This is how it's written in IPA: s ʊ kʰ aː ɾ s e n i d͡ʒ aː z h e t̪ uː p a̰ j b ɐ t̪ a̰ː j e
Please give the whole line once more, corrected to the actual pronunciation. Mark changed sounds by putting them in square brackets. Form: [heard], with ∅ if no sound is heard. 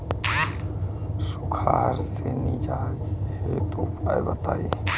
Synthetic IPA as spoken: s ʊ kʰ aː ɾ s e n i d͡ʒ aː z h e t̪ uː p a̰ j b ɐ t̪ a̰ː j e